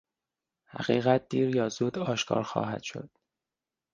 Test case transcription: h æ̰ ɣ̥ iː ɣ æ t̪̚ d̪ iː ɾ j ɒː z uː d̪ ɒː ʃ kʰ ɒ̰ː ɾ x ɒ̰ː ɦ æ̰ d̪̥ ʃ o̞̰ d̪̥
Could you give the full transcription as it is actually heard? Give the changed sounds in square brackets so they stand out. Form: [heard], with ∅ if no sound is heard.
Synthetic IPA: h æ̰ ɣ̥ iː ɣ æ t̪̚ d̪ iː ɾ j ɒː z uː d̪ ɒː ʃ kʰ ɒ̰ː ɾ x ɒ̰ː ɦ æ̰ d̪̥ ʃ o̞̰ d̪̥